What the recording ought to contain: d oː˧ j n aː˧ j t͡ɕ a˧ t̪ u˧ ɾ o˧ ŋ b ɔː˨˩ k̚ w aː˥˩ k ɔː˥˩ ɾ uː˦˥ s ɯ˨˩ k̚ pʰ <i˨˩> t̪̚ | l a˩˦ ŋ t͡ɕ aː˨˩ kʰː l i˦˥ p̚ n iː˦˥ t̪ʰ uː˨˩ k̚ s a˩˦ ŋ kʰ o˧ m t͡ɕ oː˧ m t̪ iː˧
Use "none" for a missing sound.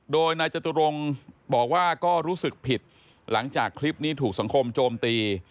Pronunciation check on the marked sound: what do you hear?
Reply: i˨˩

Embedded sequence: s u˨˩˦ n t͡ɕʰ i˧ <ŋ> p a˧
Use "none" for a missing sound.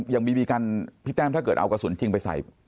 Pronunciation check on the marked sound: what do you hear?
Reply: ŋ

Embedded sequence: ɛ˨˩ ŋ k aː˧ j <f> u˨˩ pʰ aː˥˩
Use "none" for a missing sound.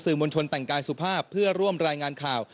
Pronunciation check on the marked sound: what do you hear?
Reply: s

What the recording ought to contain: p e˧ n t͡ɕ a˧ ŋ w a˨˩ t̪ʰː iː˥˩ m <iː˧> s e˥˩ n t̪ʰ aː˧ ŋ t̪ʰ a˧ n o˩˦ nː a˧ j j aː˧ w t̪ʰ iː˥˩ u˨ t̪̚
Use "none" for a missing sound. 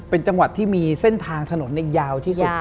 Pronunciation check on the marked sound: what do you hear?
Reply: iː˧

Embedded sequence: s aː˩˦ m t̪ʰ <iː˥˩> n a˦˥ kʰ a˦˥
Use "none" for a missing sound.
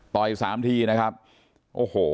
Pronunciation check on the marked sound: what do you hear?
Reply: iː˧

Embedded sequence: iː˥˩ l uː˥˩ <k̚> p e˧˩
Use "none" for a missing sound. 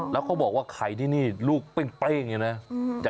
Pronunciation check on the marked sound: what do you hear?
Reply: k̚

